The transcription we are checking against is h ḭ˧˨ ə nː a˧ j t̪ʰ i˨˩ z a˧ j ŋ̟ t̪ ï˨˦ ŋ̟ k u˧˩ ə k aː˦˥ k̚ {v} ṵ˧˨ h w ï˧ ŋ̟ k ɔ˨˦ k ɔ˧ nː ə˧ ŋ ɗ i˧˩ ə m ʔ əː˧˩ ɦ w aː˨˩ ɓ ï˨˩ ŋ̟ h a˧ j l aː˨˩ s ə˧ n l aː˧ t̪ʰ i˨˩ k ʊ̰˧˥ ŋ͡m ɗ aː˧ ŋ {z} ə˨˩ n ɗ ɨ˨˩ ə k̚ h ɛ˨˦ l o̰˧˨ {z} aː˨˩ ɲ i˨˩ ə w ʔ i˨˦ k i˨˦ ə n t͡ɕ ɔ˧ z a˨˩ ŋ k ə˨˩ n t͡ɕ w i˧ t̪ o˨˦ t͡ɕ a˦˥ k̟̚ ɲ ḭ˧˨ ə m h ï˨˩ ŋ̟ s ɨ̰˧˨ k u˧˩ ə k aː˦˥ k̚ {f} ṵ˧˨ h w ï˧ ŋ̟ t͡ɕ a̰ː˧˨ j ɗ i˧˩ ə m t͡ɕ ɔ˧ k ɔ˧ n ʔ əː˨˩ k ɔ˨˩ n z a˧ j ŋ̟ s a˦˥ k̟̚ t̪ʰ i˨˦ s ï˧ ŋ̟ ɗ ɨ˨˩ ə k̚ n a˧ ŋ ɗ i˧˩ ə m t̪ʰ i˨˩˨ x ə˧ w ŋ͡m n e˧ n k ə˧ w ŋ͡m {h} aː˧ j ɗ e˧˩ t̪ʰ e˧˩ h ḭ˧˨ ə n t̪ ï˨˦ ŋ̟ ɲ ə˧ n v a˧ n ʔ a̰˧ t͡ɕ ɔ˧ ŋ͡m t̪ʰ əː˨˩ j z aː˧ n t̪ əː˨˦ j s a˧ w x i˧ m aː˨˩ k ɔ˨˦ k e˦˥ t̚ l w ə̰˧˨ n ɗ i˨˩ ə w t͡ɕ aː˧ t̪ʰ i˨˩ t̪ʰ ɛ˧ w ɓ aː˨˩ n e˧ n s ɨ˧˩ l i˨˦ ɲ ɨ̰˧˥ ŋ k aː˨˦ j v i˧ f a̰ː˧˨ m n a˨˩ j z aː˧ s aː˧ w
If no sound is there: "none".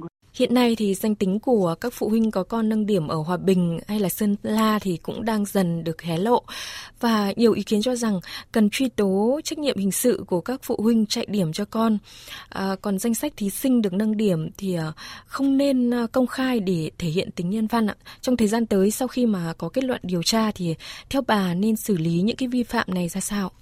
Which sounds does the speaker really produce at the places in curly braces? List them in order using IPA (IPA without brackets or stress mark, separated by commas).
f, z, v, f, x